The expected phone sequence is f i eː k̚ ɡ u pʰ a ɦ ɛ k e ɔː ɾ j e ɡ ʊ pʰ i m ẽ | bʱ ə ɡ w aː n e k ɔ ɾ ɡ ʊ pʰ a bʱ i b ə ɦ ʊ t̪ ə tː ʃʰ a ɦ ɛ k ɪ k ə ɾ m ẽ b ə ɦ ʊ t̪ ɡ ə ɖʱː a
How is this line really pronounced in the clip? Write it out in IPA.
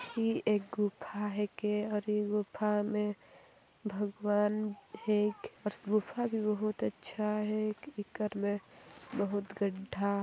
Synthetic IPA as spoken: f i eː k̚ ɡ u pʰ a ɦ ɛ k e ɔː ɾ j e ɡ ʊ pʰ a m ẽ | bʱ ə ɡ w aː n e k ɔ ɾ ɡ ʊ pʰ a bʱ i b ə ɦ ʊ t̪ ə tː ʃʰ a ɦ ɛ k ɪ k ə ɾ m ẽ b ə ɦ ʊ t̪ ɡ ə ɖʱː a